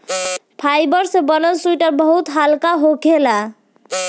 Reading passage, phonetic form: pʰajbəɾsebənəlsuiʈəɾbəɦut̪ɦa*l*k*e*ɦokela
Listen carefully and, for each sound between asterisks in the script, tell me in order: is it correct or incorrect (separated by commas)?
correct, incorrect